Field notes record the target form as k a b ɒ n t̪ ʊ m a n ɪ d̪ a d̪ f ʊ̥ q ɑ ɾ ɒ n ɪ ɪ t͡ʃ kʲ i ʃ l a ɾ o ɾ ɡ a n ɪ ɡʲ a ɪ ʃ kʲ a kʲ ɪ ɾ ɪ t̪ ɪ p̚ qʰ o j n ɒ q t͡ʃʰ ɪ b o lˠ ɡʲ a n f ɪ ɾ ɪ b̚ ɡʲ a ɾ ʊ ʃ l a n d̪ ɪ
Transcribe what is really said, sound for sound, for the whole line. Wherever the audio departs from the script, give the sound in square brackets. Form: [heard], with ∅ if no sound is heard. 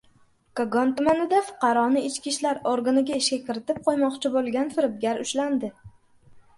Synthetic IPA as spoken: k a [ɡ] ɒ n t̪ ʊ m a n ɪ d̪ a [∅] f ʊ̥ q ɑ ɾ ɒ n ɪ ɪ t͡ʃ kʲ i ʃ l a ɾ o ɾ ɡ a n ɪ ɡʲ a ɪ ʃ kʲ a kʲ ɪ ɾ ɪ t̪ ɪ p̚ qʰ o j [m] ɒ q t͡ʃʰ ɪ b o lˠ ɡʲ a n f ɪ ɾ ɪ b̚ ɡʲ a ɾ ʊ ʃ l a n d̪ ɪ